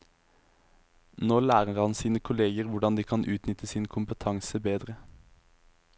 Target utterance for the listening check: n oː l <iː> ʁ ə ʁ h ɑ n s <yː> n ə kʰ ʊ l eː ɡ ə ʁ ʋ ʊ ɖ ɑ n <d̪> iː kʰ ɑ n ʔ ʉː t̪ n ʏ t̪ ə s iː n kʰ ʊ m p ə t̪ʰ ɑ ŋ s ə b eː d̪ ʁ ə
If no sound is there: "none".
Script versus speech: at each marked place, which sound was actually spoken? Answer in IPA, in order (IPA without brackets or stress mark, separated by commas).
æː, iː, d̪